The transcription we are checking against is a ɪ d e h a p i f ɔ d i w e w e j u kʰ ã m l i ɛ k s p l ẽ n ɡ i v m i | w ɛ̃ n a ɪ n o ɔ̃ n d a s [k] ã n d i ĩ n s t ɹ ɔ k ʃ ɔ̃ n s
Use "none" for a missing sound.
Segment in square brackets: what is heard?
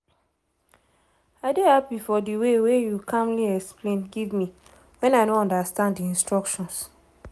t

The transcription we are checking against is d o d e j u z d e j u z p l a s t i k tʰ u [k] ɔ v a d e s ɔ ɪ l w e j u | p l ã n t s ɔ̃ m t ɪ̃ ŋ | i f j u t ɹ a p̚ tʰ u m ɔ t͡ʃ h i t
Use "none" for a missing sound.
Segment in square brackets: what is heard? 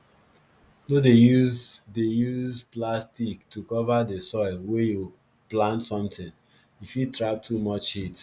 k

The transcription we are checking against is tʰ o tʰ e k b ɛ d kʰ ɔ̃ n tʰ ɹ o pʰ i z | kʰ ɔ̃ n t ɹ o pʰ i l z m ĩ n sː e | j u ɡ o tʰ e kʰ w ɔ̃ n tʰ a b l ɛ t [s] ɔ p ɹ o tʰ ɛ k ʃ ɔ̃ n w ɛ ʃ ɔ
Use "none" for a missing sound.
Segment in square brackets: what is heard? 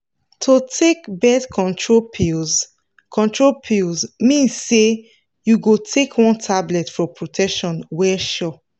f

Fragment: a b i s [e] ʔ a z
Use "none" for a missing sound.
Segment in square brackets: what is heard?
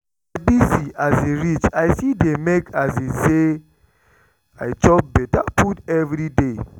i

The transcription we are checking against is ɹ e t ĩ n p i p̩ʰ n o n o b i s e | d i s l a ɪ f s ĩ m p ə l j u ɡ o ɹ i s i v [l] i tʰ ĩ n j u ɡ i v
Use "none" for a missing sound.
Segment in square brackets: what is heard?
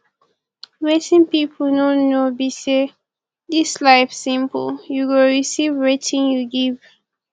ɹ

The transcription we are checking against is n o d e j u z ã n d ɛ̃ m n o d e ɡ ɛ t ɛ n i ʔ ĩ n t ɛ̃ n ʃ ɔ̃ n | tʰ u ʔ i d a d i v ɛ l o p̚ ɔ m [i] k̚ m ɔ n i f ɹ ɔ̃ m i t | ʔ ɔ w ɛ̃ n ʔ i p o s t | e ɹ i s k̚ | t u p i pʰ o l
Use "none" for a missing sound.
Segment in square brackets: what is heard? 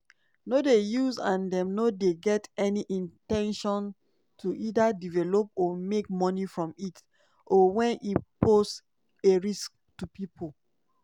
e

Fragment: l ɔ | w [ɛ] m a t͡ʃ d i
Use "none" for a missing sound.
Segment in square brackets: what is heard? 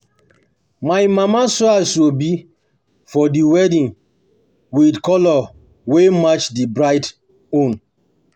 e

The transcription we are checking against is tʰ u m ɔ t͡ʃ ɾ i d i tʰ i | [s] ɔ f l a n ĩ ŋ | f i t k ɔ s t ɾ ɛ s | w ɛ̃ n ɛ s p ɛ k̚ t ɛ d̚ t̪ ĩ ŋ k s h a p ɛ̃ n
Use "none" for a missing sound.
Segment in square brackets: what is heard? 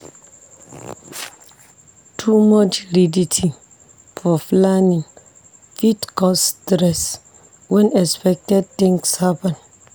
f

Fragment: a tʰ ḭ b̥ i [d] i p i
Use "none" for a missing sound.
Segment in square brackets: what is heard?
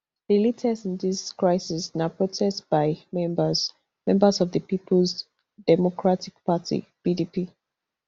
d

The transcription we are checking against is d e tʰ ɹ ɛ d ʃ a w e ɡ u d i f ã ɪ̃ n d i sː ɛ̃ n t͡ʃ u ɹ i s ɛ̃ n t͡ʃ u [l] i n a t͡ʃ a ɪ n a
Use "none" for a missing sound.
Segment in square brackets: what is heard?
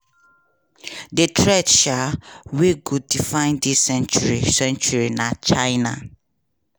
ɹ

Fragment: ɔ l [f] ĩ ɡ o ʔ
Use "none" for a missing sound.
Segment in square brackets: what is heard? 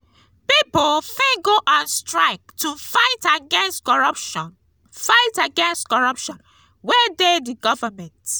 f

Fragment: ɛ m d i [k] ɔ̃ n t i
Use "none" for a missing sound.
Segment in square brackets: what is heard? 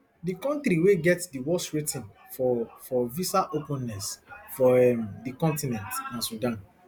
k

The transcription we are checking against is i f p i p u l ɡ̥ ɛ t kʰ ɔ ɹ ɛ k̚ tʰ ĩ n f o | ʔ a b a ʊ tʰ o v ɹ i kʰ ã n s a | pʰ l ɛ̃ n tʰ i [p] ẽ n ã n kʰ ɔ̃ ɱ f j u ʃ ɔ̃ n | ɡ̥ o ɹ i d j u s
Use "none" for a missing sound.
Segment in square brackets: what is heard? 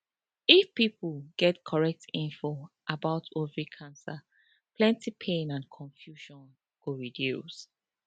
pʰ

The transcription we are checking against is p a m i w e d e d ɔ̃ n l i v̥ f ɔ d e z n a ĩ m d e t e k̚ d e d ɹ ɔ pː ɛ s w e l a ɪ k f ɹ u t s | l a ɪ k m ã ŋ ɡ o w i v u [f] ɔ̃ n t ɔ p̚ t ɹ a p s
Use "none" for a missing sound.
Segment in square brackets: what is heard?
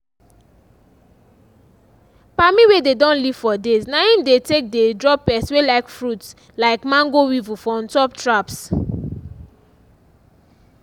f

